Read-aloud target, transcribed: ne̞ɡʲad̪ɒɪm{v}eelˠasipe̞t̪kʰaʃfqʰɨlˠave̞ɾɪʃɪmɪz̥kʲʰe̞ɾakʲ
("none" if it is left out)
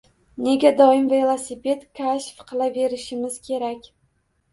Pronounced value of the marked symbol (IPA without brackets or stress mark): v